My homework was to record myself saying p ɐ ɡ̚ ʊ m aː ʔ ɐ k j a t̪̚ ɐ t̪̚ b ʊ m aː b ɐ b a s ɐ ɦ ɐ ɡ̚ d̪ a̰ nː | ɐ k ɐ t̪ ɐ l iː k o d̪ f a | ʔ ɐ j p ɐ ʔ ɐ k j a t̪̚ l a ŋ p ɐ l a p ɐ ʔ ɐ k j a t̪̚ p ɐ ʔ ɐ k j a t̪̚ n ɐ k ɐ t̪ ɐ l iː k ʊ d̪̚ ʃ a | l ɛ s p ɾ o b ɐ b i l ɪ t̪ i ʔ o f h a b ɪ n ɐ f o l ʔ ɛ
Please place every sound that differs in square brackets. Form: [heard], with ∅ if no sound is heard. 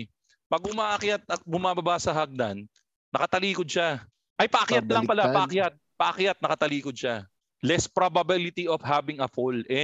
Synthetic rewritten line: p ɐ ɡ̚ ʊ m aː ʔ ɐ k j a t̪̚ ɐ t̪̚ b ʊ m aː b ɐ b a s ɐ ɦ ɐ ɡ̚ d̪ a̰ nː | ɐ k ɐ t̪ ɐ l iː k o d̪ [ʃ] a | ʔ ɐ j p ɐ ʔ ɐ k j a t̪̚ l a ŋ p ɐ l a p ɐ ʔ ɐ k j a t̪̚ p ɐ ʔ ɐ k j a t̪̚ n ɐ k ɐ t̪ ɐ l iː k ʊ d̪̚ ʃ a | l ɛ s p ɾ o b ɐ b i l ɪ t̪ i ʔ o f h a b ɪ [ŋ] ɐ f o l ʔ ɛ